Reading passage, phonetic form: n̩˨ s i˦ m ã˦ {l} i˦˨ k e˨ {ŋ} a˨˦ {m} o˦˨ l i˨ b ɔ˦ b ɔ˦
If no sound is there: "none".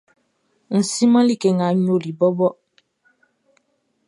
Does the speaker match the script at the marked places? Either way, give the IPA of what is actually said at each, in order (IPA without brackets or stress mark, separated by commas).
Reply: l, ŋ, ɲ